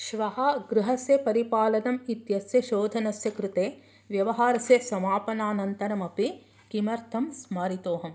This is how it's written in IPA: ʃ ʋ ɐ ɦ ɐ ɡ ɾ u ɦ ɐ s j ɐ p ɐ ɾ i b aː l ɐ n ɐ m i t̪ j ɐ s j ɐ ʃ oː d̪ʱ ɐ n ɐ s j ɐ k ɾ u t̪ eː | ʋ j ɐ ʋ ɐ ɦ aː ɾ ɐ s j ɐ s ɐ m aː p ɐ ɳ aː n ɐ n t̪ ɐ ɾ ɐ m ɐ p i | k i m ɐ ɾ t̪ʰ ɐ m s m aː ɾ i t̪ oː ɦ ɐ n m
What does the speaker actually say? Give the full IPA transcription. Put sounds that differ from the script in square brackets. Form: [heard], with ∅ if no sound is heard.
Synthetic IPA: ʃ ʋ ɐ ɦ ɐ ɡ ɾ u ɦ ɐ s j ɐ p ɐ ɾ i [p] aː l ɐ n ɐ m i t̪ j ɐ s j ɐ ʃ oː d̪ʱ ɐ n ɐ s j ɐ k ɾ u t̪ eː | ʋ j ɐ ʋ ɐ ɦ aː ɾ ɐ s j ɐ s ɐ m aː p ɐ [n] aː n ɐ n t̪ ɐ ɾ ɐ m ɐ p i | k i m ɐ ɾ t̪ʰ ɐ m s m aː ɾ i t̪ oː ɦ ɐ [∅] m